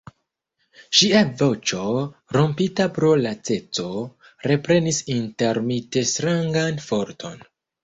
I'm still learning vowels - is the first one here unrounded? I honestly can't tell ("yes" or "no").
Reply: yes